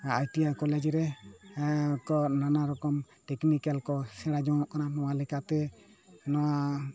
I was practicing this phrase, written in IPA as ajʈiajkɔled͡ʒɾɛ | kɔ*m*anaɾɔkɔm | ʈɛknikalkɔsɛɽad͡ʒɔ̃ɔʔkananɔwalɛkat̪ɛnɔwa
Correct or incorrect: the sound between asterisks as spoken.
incorrect: n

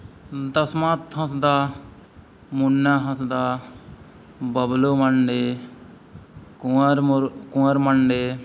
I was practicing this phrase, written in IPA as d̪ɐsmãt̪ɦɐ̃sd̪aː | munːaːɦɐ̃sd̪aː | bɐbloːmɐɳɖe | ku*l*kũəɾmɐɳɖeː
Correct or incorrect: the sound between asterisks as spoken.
incorrect: ɾ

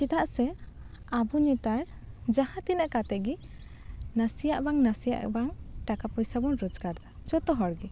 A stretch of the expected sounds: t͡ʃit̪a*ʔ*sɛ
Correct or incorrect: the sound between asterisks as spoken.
correct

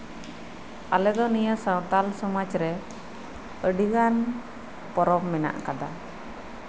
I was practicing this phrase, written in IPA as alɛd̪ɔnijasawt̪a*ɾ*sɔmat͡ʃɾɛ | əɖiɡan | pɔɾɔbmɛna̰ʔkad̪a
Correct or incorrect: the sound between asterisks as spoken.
incorrect: l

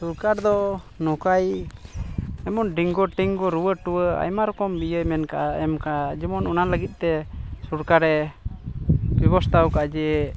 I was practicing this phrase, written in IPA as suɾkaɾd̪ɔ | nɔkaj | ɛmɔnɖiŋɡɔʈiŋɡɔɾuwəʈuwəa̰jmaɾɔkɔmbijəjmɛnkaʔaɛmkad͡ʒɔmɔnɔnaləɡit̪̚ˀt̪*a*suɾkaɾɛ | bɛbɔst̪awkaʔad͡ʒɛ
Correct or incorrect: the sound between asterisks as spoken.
incorrect: ɛ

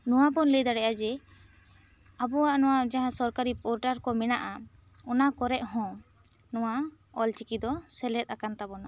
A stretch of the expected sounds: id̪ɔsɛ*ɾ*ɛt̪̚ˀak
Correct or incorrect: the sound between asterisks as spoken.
incorrect: l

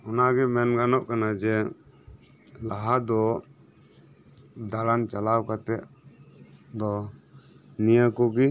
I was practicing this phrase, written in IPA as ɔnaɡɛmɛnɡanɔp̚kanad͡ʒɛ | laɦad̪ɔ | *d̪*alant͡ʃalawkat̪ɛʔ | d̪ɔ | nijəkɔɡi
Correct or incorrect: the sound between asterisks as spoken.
correct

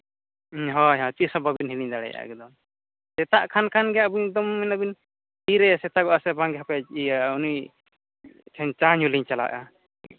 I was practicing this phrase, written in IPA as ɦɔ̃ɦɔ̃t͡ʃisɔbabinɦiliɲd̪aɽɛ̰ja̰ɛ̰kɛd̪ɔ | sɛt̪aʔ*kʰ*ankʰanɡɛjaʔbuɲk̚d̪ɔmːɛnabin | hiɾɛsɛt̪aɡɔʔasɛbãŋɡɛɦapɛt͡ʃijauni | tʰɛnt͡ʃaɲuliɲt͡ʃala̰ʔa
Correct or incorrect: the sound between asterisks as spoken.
correct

